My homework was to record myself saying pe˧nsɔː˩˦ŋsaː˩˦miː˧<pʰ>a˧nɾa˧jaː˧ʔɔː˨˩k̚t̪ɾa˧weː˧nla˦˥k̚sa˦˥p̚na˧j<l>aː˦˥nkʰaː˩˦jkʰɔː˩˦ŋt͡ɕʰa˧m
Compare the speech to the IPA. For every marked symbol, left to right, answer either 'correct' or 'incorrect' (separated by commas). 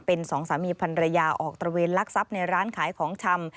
correct, incorrect